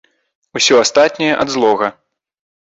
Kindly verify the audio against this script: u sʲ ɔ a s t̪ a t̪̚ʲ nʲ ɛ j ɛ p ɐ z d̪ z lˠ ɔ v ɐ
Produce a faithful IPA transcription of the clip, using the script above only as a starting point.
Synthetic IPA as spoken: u sʲ ɔ a s t̪ a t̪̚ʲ nʲ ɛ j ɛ ʔ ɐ d̪ z lˠ ɔ ɣ ɐ